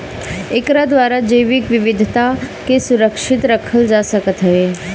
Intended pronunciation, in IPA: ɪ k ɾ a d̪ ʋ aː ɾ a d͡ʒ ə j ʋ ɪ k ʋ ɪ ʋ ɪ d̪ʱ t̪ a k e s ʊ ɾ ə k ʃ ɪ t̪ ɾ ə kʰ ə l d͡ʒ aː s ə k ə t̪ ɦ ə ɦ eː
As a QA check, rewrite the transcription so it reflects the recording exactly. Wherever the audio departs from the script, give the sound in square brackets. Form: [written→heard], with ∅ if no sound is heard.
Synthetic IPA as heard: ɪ k ɾ a d̪ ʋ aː ɾ a d͡ʒ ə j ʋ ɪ k ʋ ɪ ʋ ɪ d̪ʱ t̪ a k e s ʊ ɾ ə k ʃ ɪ t̪ ɾ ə kʰ ə l d͡ʒ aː s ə k ə t̪ ɦ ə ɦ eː